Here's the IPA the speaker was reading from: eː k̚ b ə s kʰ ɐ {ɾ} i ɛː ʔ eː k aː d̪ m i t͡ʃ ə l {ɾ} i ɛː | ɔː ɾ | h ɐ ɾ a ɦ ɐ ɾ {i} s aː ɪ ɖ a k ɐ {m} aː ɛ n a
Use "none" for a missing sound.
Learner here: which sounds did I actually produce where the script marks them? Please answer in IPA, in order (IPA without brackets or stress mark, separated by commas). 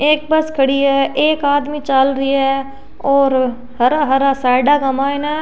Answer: ɽ, ɾ, a, m